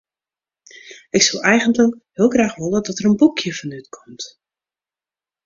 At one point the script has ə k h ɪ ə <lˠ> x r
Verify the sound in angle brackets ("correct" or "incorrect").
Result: correct